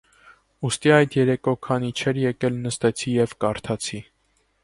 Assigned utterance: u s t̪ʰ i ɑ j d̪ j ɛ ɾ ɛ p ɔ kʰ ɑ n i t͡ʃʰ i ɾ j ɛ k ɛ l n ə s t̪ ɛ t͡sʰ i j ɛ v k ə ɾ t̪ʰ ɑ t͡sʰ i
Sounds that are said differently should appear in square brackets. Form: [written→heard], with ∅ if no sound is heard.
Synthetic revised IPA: u s [t̪ʰ→t̪] i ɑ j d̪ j ɛ ɾ ɛ [p→k] ɔ kʰ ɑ n i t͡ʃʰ [i→ɛ] ɾ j ɛ k ɛ l n ə s t̪ ɛ t͡sʰ i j ɛ v k [ə→ɑ] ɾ t̪ʰ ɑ t͡sʰ i